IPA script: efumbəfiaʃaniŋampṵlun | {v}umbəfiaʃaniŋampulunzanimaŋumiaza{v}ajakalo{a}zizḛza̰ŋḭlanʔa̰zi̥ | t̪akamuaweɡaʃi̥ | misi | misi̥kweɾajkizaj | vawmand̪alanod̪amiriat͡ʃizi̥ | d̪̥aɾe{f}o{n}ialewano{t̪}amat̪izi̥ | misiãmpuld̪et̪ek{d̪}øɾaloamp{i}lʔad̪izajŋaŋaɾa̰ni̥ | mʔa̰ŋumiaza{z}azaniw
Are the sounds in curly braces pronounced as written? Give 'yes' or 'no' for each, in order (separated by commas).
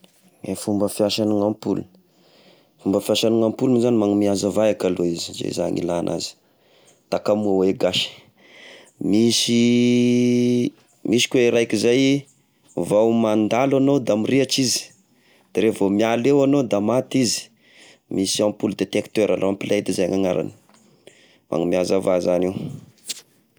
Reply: no, yes, no, no, no, no, no, yes, no